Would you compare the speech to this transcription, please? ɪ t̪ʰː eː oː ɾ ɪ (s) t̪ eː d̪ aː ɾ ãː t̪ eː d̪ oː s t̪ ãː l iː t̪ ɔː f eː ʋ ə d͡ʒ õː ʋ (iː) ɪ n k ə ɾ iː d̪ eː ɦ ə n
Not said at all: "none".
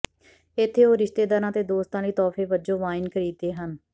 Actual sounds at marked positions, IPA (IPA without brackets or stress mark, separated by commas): ʃ, aː